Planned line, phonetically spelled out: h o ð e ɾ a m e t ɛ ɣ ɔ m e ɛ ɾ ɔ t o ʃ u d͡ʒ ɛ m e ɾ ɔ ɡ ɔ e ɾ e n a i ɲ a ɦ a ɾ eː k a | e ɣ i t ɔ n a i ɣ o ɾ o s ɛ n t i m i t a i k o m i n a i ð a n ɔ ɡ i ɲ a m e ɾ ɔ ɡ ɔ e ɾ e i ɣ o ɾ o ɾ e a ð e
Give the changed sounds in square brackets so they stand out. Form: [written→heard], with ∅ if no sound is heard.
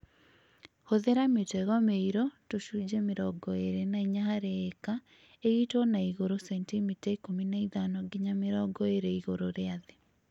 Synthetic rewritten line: h o ð e ɾ a m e t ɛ ɣ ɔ m e [ɛ→i] ɾ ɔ t o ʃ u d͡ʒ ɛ m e ɾ ɔ ɡ ɔ e ɾ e n a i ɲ a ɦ a ɾ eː k a | e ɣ i t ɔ n a i ɣ o ɾ o s ɛ n t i m i t a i k o m i n a i ð a n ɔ ɡ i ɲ a m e ɾ ɔ ɡ ɔ e ɾ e i ɣ o ɾ o ɾ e a ð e